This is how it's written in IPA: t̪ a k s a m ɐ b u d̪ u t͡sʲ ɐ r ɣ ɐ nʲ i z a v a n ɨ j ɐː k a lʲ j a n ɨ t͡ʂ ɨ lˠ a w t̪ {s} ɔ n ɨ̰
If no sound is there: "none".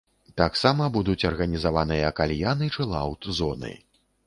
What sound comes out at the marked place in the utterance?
z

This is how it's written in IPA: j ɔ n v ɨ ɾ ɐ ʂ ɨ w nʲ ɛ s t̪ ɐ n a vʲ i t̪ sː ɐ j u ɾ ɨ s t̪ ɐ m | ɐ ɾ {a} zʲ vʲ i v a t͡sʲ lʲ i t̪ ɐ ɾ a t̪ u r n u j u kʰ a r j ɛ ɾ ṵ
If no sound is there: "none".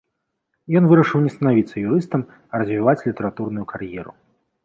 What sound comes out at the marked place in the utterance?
ɐ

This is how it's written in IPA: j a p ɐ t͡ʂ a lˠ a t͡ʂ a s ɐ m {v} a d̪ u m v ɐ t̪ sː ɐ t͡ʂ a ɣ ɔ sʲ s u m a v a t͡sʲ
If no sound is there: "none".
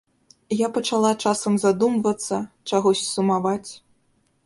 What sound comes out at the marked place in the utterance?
z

